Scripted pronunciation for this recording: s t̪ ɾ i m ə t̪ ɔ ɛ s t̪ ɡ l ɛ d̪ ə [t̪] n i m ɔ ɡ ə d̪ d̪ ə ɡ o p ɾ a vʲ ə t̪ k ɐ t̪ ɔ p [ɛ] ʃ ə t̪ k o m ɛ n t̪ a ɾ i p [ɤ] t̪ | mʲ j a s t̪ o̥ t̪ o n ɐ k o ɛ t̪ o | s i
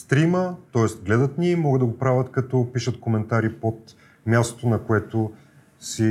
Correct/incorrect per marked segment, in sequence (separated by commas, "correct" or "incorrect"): correct, incorrect, incorrect